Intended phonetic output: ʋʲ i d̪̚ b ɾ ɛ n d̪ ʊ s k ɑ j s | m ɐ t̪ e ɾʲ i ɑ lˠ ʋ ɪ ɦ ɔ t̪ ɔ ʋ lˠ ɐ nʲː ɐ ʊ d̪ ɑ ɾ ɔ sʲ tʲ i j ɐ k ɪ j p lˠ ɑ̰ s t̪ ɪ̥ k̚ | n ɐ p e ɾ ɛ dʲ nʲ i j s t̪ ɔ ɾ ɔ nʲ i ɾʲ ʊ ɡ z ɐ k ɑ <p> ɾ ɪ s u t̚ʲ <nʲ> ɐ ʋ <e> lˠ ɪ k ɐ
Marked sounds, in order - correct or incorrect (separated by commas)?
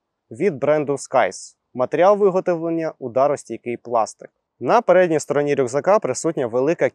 correct, correct, correct